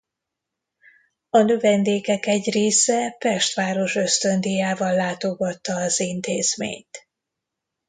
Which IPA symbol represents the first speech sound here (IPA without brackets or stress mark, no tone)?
ɒ